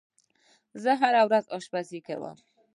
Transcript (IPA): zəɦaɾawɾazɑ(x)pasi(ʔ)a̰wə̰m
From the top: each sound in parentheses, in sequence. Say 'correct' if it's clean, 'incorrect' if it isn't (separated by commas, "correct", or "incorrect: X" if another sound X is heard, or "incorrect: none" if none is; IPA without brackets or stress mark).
incorrect: ʃ, incorrect: k